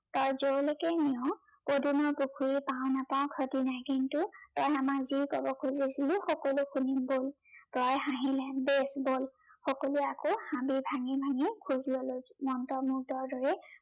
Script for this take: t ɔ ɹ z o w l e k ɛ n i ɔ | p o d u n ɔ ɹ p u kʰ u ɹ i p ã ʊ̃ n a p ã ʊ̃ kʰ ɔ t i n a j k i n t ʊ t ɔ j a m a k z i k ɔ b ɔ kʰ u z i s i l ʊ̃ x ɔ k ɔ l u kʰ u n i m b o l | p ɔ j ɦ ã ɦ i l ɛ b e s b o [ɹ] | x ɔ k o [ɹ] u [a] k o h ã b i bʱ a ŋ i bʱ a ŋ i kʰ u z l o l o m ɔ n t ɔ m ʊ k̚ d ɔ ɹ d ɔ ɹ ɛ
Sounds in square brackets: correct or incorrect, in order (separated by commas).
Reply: incorrect, incorrect, correct